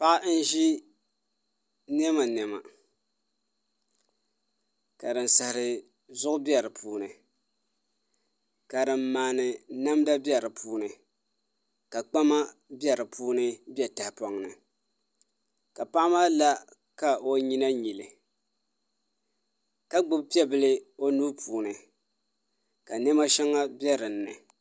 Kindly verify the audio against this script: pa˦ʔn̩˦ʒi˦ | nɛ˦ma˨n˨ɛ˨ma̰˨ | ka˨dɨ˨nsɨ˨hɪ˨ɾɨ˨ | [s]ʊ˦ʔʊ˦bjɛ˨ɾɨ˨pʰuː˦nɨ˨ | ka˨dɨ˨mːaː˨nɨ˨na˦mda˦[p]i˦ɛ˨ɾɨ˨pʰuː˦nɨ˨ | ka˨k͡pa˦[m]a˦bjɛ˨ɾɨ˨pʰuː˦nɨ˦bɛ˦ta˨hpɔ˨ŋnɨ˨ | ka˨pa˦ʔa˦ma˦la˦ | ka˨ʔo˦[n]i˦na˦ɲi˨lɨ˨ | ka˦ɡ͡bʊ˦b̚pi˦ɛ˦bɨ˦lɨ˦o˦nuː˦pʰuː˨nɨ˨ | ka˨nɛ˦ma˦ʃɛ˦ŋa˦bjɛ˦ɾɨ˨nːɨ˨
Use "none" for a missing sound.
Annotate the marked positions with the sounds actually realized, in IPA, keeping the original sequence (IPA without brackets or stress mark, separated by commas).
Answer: z, b, m, ɲ